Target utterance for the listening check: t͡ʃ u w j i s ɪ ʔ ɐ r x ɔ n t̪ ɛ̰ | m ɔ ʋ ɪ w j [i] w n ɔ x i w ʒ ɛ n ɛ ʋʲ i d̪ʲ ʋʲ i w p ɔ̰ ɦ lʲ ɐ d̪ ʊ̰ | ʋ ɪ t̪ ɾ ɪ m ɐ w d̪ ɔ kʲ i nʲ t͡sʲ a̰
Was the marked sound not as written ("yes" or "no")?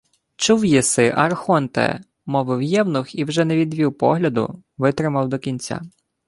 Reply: yes